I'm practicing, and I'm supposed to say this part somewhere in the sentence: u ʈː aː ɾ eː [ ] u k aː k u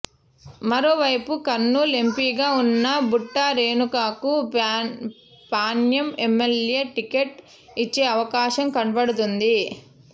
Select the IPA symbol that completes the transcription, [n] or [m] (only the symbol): n